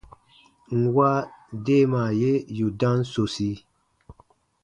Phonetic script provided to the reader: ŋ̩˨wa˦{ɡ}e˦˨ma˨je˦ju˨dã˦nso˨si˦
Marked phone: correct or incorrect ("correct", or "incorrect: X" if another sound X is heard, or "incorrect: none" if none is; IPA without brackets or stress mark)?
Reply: incorrect: d